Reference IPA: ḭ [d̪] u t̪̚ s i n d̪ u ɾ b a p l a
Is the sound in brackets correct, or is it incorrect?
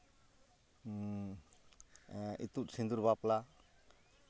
incorrect: t̪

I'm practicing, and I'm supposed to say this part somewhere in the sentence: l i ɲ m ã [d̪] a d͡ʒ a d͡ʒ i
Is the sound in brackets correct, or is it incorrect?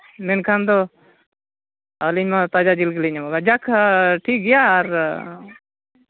incorrect: t̪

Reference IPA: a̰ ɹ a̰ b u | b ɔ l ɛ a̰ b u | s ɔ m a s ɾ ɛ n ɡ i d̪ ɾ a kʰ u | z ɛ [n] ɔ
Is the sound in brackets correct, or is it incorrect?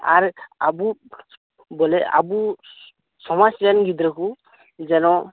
correct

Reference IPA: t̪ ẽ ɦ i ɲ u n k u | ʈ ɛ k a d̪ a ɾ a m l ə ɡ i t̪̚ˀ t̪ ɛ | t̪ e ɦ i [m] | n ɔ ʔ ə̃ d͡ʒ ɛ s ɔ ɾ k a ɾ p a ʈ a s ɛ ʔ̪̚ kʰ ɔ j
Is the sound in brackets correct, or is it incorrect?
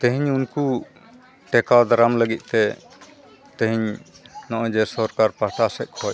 incorrect: ɲ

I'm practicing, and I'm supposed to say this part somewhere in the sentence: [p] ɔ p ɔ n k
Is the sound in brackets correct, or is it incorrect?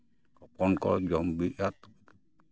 incorrect: k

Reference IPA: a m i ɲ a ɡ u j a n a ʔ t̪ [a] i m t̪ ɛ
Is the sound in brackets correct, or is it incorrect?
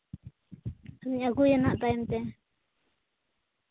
correct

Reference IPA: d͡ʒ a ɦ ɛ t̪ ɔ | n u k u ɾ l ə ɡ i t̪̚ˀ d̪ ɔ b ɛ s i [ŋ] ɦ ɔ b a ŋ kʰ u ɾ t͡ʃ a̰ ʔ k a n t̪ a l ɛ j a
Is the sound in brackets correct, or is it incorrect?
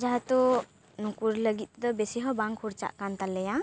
incorrect: none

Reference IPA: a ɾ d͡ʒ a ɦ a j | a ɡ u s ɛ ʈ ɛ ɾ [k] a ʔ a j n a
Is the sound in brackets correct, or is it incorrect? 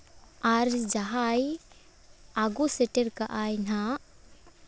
correct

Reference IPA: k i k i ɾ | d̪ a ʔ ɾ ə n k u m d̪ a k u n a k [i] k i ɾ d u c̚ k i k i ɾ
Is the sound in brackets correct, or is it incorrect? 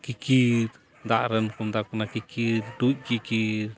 correct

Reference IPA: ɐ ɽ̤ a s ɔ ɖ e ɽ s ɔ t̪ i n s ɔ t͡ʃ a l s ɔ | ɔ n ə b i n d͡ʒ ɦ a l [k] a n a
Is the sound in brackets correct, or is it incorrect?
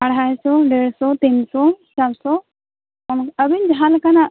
correct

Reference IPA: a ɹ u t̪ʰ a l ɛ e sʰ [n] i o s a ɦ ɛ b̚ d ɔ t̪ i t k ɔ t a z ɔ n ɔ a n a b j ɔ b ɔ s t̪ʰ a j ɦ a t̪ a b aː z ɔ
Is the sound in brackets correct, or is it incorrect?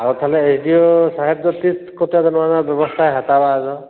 incorrect: d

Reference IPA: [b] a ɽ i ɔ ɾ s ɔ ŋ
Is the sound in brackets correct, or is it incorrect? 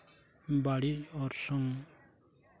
correct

